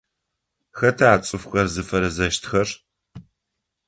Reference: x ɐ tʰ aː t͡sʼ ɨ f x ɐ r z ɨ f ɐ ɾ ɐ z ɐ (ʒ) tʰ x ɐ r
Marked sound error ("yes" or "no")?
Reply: yes